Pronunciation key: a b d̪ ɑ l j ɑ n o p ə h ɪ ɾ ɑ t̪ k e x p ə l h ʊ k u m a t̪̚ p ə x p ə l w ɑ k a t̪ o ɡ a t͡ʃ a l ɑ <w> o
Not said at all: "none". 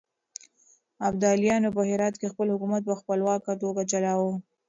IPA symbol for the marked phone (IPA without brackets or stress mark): w